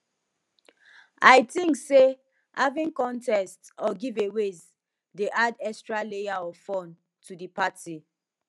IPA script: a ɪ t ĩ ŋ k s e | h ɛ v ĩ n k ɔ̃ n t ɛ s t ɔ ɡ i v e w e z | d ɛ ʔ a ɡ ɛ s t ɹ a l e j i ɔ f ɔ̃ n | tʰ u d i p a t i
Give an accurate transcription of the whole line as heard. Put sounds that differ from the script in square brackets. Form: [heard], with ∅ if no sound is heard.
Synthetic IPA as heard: a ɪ t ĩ ŋ k s e | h [a] v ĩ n k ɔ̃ n t ɛ s t ɔ ɡ i v e w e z | d [e] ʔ a [d] ɛ s t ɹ a l e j [a] ɔ f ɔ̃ n | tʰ u d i p a t i

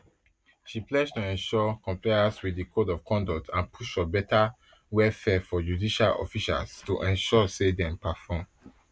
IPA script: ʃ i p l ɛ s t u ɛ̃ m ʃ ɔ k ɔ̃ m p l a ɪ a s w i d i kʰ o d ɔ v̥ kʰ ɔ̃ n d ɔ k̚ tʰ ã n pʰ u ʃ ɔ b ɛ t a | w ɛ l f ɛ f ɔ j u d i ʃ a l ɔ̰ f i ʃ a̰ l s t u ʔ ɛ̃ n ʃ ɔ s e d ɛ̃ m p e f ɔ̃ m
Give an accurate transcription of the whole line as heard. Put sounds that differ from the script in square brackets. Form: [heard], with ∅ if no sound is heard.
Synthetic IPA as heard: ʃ i p l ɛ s t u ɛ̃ [n] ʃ ɔ k ɔ̃ m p l a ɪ a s w i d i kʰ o d ɔ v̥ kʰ ɔ̃ n d ɔ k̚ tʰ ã n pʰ u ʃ ɔ b ɛ t a | w ɛ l f ɛ f ɔ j u d i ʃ a l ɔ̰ f i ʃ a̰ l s t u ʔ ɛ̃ n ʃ ɔ s e d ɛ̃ m p [a] f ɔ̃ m

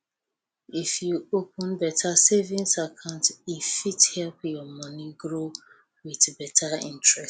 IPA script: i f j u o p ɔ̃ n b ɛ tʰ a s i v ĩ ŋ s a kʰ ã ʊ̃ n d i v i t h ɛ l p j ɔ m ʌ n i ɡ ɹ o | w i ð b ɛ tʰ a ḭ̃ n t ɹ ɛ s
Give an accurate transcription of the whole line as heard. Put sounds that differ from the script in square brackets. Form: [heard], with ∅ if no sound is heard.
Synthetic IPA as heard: i f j u o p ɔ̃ n b ɛ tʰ a s [e] v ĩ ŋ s a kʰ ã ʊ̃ n [t] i [f] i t h ɛ l p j ɔ m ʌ n i ɡ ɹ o | w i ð b ɛ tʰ a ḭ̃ n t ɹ ɛ s

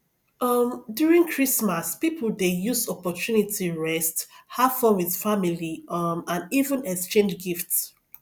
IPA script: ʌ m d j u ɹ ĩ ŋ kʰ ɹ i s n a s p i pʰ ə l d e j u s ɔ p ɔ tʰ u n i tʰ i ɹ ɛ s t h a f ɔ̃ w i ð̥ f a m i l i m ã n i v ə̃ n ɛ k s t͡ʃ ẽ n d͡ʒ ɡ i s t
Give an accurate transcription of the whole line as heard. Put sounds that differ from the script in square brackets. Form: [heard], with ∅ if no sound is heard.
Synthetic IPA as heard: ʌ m d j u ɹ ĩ ŋ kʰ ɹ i s [m] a s p i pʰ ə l d e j u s ɔ p ɔ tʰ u n i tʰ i ɹ ɛ s t h a f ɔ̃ w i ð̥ f a m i l i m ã n i v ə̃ n ɛ k s t͡ʃ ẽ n d͡ʒ ɡ i [f] t

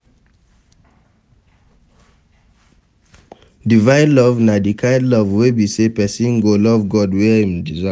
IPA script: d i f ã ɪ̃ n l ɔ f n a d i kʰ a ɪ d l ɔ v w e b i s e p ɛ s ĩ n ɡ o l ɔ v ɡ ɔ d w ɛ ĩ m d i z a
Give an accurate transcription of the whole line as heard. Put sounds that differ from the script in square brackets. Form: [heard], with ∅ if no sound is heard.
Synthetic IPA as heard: d i [v] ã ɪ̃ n l ɔ [v] n a d i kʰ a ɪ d l ɔ v w e b i s e p ɛ s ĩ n ɡ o l ɔ v ɡ ɔ d w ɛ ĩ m d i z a

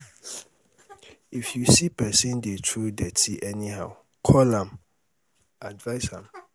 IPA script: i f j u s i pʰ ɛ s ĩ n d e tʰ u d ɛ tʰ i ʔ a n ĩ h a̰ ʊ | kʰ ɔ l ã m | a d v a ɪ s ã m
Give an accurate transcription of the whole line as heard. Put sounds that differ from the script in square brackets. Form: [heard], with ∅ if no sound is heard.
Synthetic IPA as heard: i f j u s i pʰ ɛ s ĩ n d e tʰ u d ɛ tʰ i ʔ [ɛ] n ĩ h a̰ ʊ | kʰ ɔ l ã m | a d v a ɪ s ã m

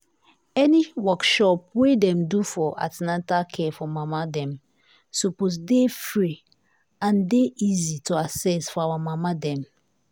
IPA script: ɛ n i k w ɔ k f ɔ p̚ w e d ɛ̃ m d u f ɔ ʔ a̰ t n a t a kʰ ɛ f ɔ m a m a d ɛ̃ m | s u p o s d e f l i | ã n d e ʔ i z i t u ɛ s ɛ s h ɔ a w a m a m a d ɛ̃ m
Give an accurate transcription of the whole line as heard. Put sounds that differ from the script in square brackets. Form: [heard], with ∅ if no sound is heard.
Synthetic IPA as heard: ɛ n i [∅] w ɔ k [ʃ] ɔ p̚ w e d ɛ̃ m d u f ɔ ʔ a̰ t n a t a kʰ ɛ f ɔ m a m a d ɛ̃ m | s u p o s d e f [ɹ] i | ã n d e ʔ i z i t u [a] s ɛ s [f] ɔ a w a m a m a d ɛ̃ m

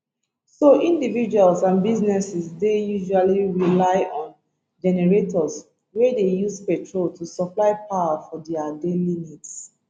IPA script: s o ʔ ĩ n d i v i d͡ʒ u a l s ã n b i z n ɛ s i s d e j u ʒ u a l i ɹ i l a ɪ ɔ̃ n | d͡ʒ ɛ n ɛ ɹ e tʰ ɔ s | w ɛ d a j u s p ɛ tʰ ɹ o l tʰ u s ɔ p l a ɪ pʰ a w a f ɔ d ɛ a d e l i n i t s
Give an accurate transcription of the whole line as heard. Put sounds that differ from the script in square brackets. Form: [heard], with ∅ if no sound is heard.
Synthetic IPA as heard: s o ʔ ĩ n d i v i d͡ʒ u a l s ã n b i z n ɛ s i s d e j u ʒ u a l i ɹ i l a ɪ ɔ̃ n | d͡ʒ ɛ n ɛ ɹ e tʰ ɔ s | w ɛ d [e] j u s p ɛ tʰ ɹ o l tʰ u s ɔ p l a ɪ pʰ a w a f ɔ d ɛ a d e l i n i t s

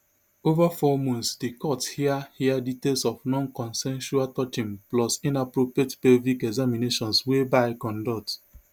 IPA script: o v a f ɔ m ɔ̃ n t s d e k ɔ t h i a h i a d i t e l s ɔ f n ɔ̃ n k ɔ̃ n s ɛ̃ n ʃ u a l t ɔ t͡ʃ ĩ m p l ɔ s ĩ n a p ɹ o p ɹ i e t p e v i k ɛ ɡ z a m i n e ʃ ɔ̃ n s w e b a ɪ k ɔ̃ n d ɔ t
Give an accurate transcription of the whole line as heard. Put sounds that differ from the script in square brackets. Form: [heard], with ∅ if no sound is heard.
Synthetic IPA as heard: o v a f ɔ m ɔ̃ n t s d e k ɔ t h i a h i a d i t e l s ɔ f n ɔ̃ n k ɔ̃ n s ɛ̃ n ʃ u a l t ɔ t͡ʃ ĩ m p l ɔ s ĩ n a p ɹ o p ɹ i e t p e v i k ɛ ɡ z a m i n e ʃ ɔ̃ n s w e b a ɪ k ɔ̃ n d ɔ t

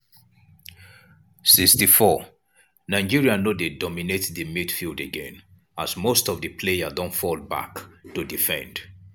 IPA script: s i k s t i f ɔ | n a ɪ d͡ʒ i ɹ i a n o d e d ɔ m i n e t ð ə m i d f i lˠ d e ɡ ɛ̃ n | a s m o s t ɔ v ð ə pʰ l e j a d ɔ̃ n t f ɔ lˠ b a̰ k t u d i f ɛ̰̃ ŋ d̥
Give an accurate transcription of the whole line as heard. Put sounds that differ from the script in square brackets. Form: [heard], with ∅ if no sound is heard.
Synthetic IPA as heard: s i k s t i f ɔ | n a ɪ d͡ʒ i ɹ i a n o d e d ɔ m i n e t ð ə m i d f i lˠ d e ɡ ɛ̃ n | a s m o s t ɔ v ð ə pʰ l e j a d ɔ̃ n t f ɔ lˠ b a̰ k t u d i f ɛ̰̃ [n] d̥

